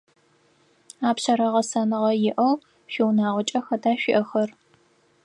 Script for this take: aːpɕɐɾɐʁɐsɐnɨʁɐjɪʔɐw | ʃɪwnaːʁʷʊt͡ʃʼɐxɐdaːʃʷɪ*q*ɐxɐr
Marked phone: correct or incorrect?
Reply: incorrect